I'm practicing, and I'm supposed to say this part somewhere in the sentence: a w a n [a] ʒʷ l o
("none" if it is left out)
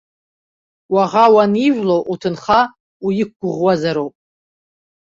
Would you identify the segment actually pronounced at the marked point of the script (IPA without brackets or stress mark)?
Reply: i